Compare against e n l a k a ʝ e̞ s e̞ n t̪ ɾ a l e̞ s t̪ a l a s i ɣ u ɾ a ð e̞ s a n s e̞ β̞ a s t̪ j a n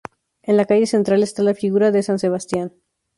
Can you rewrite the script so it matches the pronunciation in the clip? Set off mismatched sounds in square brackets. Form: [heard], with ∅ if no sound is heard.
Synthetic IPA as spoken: e n l a k a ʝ e̞ s e̞ n t̪ ɾ a l e̞ s t̪ a l a [f] i ɣ u ɾ a ð e̞ s a n s e̞ β̞ a s t̪ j a n